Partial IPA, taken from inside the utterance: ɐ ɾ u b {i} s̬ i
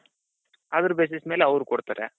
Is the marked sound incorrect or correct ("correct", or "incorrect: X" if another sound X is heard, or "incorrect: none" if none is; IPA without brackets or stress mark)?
incorrect: e